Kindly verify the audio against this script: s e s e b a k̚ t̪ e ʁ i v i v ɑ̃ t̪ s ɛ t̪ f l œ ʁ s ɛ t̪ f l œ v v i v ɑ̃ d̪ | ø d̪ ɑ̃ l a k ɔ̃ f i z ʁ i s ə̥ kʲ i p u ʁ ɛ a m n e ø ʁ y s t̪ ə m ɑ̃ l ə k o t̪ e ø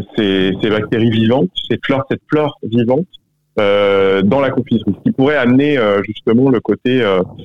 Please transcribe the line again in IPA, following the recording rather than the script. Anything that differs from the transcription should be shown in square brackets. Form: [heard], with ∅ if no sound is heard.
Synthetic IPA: s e s e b a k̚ t̪ e ʁ i v i v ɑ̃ t̪ s ɛ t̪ f l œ ʁ s ɛ t̪ f l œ [ʁ] v i v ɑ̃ [t̪] | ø d̪ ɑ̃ l a k ɔ̃ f i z ʁ i s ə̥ kʲ i p u ʁ ɛ a m n e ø [ʒ] y s t̪ ə m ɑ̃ l ə k o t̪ e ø